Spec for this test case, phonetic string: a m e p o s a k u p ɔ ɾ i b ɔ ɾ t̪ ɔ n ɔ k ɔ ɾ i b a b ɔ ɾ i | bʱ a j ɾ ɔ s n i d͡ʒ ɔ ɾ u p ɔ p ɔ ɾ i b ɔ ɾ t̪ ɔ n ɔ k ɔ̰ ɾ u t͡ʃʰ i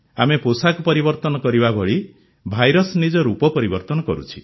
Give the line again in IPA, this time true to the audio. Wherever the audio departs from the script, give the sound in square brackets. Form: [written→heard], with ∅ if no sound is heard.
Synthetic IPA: a m e p o s a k u p ɔ ɾ i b ɔ ɾ t̪ ɔ n ɔ k ɔ ɾ i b a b ɔ [ɾ→ɭ] i | bʱ a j ɾ ɔ s n i d͡ʒ ɔ ɾ u p ɔ p ɔ ɾ i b ɔ ɾ t̪ ɔ n ɔ k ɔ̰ ɾ u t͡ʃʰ i